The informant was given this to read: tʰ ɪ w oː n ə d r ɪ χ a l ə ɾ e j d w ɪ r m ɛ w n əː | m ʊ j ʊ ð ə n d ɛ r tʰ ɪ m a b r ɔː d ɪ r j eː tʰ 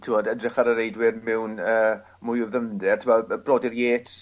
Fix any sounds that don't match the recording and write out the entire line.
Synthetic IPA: tʰ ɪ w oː d ə d r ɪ χ a ɾ ə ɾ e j d w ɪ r m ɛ w n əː | m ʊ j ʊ ð ə n d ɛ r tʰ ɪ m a b r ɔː d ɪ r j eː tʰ